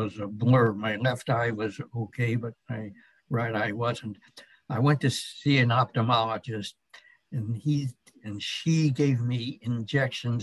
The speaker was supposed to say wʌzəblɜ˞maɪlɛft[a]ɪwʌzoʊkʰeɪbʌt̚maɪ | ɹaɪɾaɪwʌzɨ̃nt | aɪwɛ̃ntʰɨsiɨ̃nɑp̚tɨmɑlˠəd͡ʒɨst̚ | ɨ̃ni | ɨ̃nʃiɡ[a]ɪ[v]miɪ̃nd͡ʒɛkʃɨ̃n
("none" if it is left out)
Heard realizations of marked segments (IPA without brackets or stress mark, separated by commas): a, e, v